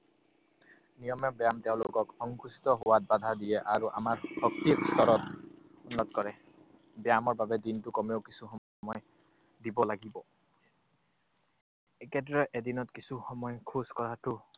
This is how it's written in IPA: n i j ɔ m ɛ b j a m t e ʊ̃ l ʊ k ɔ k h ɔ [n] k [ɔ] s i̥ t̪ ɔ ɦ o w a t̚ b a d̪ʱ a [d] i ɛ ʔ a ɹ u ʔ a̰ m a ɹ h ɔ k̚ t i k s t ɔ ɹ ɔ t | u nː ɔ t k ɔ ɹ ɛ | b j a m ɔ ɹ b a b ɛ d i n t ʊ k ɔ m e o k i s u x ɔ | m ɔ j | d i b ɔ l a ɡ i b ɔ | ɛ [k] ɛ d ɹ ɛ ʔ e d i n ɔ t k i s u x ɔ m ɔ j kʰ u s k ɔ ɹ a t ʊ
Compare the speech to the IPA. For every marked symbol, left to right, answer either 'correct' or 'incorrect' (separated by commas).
incorrect, incorrect, correct, correct